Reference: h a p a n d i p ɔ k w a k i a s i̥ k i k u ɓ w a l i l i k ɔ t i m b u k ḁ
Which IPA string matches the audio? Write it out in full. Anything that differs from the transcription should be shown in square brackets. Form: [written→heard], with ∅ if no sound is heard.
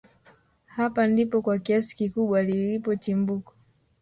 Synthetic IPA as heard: h a p a n d i p ɔ k w a k i a s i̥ k i k u ɓ w a l i l i [k→p] ɔ [t→t͡ʃ] i m b u k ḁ